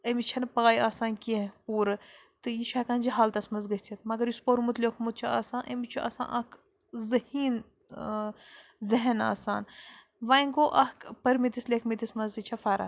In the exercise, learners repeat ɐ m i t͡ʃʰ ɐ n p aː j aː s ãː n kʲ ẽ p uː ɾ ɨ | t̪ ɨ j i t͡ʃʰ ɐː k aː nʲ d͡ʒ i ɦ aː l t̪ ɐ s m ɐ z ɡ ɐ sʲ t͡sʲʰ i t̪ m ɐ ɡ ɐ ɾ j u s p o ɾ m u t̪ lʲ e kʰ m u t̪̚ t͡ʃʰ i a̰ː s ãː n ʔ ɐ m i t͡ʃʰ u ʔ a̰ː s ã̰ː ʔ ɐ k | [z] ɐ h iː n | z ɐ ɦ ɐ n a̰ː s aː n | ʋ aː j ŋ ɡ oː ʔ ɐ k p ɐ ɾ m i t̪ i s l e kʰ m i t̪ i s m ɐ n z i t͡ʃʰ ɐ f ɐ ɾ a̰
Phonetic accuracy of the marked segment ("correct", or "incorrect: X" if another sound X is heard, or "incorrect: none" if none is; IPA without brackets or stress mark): correct